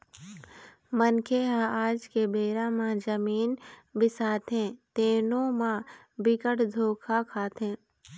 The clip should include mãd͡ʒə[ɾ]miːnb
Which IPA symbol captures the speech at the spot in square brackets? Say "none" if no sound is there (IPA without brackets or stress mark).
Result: none